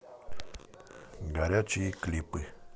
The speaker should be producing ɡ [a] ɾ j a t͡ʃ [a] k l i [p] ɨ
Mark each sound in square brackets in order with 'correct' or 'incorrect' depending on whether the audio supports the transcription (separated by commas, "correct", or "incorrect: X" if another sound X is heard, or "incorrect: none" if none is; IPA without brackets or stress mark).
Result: correct, incorrect: i, correct